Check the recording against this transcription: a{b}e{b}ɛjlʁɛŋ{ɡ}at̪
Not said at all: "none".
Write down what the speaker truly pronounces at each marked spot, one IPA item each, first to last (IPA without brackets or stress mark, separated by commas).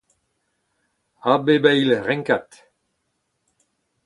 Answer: b, b, k